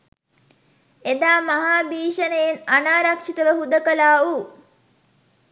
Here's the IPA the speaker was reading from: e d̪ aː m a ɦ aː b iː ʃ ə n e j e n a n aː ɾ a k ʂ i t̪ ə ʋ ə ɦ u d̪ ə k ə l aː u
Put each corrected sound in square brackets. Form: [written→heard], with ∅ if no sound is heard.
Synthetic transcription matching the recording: e d̪ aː m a ɦ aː b iː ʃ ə n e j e n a n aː ɾ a k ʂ i t̪ ə ʋ ə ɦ u d̪ ə k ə l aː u